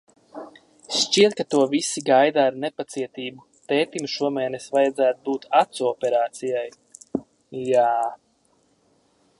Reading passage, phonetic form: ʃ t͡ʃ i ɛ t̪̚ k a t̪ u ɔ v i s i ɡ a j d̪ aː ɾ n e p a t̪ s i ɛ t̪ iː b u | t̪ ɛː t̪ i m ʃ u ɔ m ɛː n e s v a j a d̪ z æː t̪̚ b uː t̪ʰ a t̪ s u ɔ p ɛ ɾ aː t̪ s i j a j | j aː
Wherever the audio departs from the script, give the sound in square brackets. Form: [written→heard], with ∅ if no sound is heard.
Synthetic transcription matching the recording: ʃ t͡ʃ i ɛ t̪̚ k a t̪ u ɔ v i s i ɡ a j d̪ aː ɾ n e p a t̪ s i ɛ t̪ iː b u | t̪ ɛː t̪ i m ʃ u ɔ m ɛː n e s v a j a d̪ z æː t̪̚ b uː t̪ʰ a t̪ s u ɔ p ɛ ɾ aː t̪ s i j a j | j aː